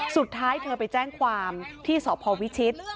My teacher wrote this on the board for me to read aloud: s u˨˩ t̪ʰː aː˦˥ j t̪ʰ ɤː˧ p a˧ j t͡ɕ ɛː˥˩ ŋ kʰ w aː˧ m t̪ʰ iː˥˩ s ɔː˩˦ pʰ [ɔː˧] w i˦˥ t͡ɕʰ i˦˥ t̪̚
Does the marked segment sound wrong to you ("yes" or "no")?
no